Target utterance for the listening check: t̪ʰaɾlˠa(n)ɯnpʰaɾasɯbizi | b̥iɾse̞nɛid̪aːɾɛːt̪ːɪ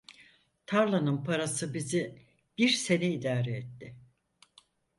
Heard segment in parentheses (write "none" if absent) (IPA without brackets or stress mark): n